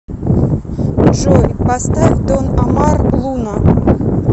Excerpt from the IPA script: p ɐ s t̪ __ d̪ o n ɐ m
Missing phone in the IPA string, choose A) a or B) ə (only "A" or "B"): A